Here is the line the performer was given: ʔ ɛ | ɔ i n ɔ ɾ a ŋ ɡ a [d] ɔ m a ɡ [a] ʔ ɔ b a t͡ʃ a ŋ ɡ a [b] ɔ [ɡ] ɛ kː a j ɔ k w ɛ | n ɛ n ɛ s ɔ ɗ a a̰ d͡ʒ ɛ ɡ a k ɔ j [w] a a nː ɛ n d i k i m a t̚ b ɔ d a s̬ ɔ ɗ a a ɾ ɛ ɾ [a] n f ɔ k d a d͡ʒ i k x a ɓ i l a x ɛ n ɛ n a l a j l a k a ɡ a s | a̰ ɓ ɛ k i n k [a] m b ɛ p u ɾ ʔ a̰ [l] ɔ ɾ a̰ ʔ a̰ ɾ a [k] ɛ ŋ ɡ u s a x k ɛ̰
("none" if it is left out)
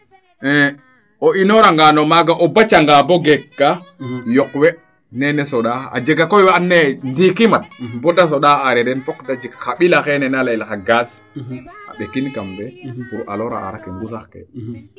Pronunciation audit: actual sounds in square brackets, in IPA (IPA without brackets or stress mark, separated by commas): n, a, b, ɡ, w, ɛ, a, l, k